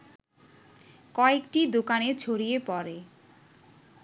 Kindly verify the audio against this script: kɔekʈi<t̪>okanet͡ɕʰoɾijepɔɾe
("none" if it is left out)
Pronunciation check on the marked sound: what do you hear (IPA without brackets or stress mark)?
d̪